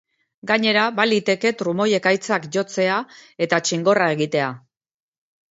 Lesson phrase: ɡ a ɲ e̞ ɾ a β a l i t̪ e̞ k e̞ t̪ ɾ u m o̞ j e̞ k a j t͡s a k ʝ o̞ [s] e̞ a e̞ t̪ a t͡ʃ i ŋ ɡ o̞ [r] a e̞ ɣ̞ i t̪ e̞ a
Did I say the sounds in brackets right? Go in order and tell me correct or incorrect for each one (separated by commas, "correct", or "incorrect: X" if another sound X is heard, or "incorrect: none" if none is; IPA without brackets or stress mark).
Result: incorrect: t͡s, correct